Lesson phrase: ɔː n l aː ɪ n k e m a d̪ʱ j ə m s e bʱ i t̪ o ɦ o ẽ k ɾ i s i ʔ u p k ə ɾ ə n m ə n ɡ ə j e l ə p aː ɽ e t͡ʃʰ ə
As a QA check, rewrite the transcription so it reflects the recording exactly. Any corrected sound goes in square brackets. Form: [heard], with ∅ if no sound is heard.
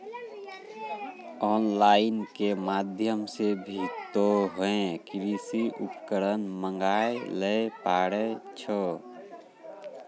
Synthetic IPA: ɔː n l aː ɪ n k e m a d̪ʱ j ə m s e bʱ i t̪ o ɦ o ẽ k ɾ i s i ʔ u p k ə ɾ ə n m ə [ŋ] ɡ [a] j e l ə p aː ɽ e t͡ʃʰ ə